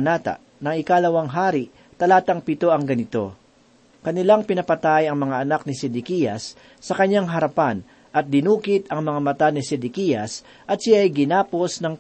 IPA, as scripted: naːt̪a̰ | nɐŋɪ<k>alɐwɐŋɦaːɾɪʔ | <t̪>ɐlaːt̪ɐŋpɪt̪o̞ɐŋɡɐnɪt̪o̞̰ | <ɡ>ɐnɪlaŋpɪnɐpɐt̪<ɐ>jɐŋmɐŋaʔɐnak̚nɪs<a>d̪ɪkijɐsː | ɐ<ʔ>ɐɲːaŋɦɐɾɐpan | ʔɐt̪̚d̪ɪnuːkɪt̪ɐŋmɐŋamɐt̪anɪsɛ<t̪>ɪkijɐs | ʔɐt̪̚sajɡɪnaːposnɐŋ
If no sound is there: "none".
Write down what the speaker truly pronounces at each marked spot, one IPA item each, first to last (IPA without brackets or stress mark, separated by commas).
k, t̪, k, a, ɛ, k, d̪